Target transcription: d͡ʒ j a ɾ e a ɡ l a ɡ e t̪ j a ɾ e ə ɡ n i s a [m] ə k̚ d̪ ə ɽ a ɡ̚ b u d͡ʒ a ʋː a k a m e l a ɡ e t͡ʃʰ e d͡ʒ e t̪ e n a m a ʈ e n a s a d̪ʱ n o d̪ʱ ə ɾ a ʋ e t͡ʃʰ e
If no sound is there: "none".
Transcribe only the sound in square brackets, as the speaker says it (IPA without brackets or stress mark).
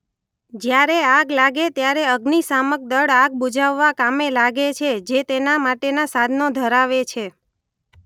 m